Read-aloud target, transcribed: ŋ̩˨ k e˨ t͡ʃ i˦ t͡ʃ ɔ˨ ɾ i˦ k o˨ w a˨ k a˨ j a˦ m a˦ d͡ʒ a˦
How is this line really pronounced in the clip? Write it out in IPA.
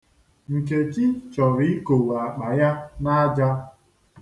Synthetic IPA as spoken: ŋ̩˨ k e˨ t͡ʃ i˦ t͡ʃ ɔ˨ ɾ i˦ k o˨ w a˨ k͡p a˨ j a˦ n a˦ d͡ʒ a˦